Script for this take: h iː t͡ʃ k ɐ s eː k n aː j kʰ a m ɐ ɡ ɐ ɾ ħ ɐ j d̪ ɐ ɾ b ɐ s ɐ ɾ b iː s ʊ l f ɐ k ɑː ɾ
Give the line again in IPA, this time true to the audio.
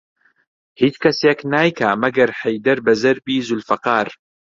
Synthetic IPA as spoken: h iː t͡ʃ k ɐ s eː k n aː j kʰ a m ɐ ɡ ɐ ɾ ħ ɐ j d̪ ɐ ɾ b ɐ z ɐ ɾ b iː z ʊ l f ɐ q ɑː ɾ